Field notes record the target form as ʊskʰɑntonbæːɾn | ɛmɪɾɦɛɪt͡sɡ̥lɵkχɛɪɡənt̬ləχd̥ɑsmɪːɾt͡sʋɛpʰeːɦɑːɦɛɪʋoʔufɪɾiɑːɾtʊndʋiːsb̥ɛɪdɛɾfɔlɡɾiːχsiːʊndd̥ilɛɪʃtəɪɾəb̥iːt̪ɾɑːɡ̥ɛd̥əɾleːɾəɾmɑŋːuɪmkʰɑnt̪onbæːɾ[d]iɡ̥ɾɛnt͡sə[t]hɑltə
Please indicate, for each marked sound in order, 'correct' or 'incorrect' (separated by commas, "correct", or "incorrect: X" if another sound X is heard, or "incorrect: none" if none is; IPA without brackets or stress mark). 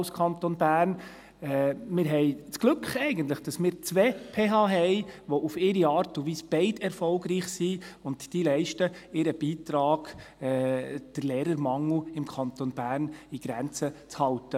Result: incorrect: n, incorrect: t͡s